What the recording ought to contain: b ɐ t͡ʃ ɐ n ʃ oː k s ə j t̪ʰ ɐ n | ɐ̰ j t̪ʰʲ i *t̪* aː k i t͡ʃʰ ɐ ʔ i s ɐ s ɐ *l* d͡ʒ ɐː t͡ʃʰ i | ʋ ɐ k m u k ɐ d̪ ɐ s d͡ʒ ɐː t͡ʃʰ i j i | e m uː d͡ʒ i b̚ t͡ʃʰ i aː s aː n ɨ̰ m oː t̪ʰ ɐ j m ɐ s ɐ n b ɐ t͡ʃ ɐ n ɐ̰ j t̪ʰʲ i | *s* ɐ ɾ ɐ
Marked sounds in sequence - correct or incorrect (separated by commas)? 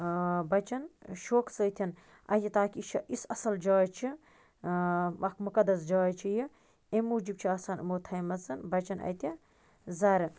correct, correct, incorrect